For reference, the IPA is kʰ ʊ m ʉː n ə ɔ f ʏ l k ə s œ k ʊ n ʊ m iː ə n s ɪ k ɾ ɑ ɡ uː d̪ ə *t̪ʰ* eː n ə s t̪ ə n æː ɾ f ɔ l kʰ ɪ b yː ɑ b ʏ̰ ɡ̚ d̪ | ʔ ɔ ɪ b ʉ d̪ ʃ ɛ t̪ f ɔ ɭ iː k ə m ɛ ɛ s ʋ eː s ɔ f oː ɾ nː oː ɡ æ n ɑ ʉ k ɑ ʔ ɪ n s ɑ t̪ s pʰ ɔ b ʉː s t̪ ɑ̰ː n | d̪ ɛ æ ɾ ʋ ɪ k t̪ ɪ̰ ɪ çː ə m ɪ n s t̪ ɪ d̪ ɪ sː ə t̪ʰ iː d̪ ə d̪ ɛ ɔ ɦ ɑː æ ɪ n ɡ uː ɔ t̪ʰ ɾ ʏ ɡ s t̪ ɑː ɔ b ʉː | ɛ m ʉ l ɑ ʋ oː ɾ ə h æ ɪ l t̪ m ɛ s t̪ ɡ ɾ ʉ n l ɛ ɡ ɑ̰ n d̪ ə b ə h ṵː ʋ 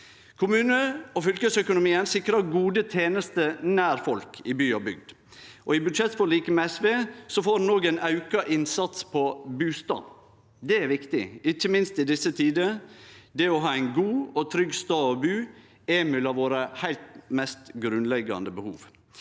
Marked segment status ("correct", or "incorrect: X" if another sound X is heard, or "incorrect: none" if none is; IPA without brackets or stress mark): correct